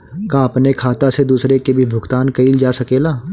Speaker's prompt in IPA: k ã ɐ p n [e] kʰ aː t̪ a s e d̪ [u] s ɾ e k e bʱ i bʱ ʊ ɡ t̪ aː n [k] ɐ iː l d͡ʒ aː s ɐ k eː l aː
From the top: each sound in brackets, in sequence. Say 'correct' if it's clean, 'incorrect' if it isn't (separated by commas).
correct, incorrect, correct